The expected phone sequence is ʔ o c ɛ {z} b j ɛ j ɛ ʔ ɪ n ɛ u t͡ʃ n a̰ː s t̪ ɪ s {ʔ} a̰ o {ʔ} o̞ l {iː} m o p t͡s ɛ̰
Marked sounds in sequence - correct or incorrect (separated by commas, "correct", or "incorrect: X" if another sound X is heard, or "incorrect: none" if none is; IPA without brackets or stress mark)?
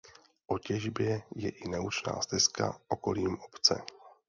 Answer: incorrect: ʒ, incorrect: k, incorrect: k, correct